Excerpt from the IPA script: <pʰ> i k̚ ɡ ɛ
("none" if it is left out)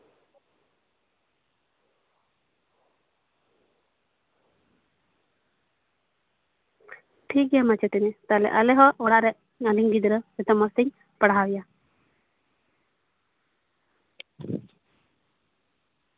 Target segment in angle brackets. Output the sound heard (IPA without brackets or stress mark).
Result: ʈʰ